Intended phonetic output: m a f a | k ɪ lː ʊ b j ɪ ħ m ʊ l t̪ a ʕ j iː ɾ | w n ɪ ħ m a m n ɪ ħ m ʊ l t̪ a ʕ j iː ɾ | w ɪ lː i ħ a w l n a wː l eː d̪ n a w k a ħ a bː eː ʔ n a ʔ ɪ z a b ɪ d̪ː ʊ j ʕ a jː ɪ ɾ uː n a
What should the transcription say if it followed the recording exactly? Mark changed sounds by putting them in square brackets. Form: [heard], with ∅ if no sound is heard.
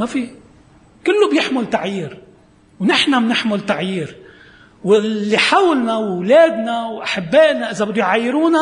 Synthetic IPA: m a f [i] | k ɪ lː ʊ b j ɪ ħ m ʊ l t̪ a ʕ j iː ɾ | w n ɪ ħ [n] a m n ɪ ħ m ʊ l t̪ a ʕ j iː ɾ | w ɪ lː i ħ a w l n a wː l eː d̪ n a w [ʔ] a ħ a bː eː ʔ n a ʔ ɪ z a b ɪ d̪ː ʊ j ʕ a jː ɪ ɾ uː n a